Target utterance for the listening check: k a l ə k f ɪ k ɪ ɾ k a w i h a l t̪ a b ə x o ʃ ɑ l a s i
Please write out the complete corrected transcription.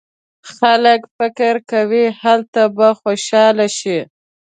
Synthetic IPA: x a l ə k f ɪ k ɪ ɾ k a w i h a l t̪ a b a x o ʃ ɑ l a ʃ i

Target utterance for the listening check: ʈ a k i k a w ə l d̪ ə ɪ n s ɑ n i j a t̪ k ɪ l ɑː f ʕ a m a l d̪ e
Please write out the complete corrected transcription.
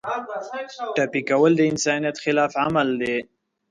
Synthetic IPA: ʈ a p i k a w ə l d̪ ə ɪ n s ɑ n i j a t̪ x ɪ l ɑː f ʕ a m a l d̪ e

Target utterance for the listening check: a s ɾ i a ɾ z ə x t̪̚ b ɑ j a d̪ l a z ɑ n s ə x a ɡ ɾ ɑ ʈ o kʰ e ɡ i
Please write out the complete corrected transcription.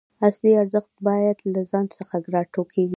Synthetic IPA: a s l i a ɾ z ə x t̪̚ b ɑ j a d̪ l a z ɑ n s ə x a ɡ ɾ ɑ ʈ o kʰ e ɡ i

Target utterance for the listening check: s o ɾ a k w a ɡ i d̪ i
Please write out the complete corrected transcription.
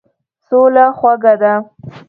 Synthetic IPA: s o l a x w a ɡ a d̪ a

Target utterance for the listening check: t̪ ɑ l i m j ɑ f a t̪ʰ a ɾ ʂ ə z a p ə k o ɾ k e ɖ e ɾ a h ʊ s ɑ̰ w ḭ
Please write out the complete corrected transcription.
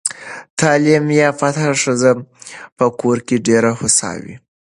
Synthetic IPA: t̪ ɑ l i m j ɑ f a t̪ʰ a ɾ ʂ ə z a p ə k o ɾ k e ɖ e ɾ a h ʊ s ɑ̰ w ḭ

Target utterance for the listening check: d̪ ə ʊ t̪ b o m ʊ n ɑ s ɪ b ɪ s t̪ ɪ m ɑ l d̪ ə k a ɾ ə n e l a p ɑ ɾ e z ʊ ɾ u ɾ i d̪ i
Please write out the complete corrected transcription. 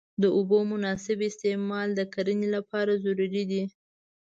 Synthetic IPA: d̪ ə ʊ b o m ʊ n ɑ s ɪ b ɪ s t̪ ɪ m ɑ l d̪ ə k a ɾ ə n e l a p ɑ ɾ a z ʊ ɾ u ɾ i d̪ i

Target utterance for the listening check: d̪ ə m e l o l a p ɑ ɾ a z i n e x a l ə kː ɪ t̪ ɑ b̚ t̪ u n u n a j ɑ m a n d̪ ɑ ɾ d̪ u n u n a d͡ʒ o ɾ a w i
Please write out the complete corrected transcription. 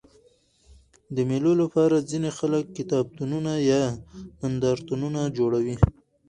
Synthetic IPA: d̪ ə m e l o l a p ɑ ɾ a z i n e x a l ə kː ɪ t̪ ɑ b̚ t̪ u n u n a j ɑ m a n d̪ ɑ ɾ t̪ u n u n a d͡ʒ o ɽ a w i

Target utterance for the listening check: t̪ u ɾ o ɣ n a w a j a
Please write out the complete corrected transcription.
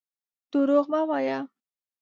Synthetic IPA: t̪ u ɾ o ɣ m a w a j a

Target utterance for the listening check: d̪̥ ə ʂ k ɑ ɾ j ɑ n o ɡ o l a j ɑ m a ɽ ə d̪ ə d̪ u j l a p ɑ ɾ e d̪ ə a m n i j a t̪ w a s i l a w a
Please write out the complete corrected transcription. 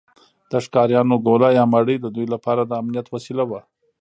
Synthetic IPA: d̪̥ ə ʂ k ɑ ɾ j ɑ n o ɡ o l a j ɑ m a ɽ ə d̪ ə d̪ u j l a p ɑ ɾ a d̪ ə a m n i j a t̪ w a s i l a w a

